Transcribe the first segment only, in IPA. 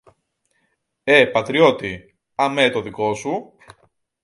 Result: e̞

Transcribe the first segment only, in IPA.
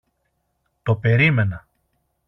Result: t̪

